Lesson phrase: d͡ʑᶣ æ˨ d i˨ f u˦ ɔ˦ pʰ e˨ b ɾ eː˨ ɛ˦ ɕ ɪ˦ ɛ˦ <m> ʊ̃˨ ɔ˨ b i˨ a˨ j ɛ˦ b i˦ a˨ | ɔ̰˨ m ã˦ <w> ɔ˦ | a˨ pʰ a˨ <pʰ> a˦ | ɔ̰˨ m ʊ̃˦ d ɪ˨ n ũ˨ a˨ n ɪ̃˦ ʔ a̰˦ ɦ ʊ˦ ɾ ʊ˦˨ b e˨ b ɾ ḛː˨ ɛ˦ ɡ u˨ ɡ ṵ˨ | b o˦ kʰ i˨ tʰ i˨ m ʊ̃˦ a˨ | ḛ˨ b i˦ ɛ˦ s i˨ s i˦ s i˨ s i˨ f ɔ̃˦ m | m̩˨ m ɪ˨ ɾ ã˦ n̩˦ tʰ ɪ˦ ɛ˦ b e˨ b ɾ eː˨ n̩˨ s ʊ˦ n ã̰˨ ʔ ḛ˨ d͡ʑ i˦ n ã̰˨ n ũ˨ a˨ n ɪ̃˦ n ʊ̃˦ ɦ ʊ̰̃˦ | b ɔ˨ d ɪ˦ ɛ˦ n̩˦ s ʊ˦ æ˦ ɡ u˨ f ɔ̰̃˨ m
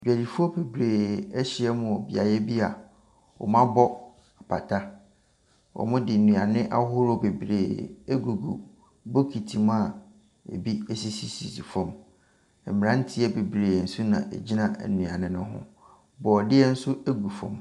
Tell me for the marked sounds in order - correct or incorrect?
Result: correct, incorrect: b, incorrect: tʰ

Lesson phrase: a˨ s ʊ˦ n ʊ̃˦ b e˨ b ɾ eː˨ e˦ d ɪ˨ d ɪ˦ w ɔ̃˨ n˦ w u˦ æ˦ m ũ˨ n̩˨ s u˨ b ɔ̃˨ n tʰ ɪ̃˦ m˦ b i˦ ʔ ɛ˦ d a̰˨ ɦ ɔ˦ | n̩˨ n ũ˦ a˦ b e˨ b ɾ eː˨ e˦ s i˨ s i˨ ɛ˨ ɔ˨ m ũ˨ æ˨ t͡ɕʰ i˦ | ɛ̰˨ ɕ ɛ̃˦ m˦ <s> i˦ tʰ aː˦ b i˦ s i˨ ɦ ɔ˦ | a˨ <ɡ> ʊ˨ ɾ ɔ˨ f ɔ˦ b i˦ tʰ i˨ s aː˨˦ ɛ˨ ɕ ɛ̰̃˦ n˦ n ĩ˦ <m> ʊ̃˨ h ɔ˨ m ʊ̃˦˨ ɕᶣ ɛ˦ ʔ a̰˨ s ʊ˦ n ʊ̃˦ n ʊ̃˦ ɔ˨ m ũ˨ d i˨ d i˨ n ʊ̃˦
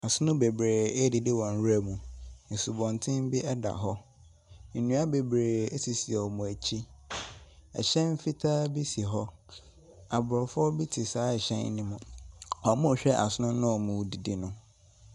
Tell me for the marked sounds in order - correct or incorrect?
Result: incorrect: f, incorrect: b, correct

